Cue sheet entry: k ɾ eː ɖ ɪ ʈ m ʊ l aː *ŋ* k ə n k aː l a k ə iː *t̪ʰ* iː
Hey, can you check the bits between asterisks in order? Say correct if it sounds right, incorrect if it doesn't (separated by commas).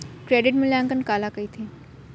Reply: correct, correct